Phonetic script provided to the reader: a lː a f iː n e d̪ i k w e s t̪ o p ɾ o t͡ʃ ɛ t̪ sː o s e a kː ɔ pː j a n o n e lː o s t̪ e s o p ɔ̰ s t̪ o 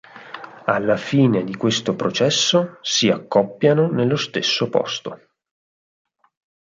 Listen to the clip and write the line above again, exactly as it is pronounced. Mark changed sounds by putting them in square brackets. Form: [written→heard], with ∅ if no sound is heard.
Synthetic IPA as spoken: a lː a f iː n e d̪ i k w e s t̪ o p ɾ o t͡ʃ ɛ [t̪→∅] sː o s [e→i] a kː ɔ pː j a n o n e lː o s t̪ e [s→sː] o p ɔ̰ s t̪ o